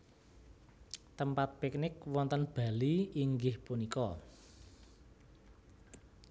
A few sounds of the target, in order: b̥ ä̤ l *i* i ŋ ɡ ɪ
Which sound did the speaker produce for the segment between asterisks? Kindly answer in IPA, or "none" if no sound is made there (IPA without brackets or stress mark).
i